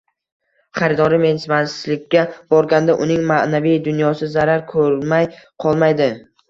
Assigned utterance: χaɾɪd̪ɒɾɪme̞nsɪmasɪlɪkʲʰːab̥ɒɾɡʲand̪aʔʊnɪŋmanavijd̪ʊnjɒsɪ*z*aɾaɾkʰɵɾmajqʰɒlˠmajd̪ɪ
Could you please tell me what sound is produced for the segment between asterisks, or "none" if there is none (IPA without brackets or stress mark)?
z